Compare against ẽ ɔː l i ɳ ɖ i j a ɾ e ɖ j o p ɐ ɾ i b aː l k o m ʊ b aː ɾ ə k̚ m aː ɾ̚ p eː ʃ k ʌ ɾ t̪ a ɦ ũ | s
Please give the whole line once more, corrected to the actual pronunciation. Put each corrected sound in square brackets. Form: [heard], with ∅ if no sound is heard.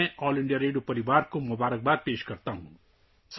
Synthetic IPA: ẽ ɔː l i ɳ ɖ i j a ɾ e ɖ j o p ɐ ɾ i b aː [ɾ] k o m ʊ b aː ɾ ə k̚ [b] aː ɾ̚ p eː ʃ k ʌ ɾ t̪ a ɦ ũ | s